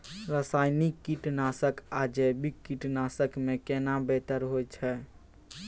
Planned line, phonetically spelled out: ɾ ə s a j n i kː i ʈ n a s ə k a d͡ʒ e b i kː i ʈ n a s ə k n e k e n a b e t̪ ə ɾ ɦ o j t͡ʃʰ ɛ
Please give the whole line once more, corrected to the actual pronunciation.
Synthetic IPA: ɾ ə s a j n i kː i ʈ n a s ə k a d͡ʒ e b i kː i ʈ n a s ə k m e k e n a b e t̪ ə ɾ ɦ o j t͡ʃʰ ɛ